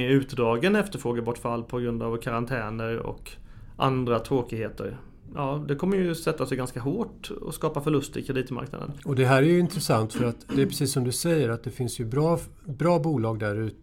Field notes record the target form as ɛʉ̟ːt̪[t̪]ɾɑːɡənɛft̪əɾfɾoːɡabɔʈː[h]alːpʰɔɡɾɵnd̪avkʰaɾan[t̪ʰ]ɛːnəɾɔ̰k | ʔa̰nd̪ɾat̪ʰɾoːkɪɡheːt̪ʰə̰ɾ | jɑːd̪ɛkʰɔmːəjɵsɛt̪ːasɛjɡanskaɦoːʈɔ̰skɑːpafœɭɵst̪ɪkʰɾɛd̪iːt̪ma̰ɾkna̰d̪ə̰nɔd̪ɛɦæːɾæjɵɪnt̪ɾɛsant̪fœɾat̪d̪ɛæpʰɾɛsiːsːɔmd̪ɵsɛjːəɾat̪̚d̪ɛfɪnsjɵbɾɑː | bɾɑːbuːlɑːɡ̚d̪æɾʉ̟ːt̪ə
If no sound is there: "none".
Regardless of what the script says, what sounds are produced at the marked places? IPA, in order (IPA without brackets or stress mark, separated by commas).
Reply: d̪, f, t̪ʰ